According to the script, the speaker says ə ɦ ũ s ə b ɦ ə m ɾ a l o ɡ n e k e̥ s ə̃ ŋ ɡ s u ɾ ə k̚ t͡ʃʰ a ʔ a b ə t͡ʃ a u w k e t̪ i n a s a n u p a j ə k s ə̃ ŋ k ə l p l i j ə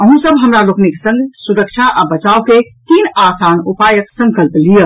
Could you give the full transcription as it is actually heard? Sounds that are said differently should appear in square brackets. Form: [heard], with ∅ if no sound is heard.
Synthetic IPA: ə ɦ ũ s ə b ɦ ə m ɾ a l o [k] n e k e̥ s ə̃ ŋ ɡ s u ɾ ə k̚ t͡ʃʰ a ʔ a b ə t͡ʃ a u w k e t̪ i n a s a n u p a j ə k s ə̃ ŋ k ə l p l i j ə